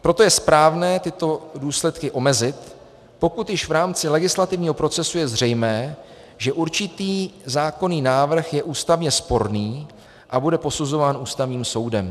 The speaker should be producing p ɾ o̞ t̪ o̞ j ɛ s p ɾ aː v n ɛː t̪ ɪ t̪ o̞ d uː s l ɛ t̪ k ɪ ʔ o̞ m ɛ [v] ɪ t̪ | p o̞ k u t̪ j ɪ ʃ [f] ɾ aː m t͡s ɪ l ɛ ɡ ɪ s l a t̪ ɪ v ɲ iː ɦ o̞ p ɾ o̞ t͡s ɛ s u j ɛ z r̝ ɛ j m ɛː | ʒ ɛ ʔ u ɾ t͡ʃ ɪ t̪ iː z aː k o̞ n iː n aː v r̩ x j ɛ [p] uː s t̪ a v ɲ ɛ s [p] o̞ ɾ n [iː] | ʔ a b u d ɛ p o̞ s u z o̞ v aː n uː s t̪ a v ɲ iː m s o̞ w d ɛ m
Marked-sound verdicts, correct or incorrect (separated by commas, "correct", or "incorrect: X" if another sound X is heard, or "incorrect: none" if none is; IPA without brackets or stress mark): incorrect: z, incorrect: v, incorrect: ʔ, correct, correct